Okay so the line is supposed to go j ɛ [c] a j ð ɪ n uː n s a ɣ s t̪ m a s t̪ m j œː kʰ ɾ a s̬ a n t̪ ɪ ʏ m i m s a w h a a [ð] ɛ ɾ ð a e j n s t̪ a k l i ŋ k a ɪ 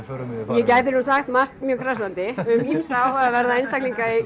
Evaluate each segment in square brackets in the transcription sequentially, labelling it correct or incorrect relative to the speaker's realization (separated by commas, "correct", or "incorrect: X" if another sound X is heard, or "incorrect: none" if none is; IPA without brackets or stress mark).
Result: correct, incorrect: v